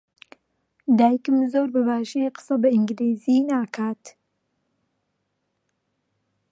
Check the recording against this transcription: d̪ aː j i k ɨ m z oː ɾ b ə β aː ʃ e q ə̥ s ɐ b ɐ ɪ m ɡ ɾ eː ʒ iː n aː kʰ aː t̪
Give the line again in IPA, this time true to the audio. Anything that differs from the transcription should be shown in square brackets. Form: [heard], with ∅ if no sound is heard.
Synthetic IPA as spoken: d̪ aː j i k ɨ m z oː ɾ b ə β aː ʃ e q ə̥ s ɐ b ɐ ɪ [ŋ] ɡ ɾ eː [z] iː n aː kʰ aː t̪